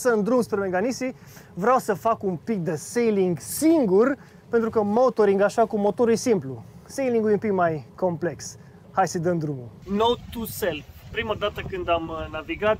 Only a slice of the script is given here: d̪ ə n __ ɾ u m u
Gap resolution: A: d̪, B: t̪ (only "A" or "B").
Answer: A